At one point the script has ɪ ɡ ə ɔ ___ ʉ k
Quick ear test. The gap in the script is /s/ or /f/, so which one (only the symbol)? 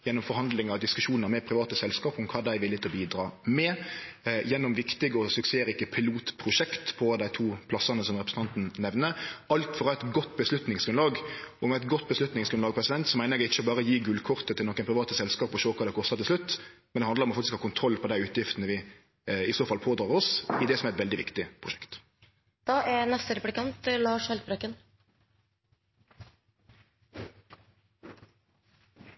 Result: s